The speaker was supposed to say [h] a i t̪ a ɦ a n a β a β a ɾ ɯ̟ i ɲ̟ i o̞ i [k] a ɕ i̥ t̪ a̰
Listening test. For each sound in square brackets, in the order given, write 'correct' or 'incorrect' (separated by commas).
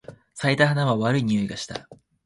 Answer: incorrect, incorrect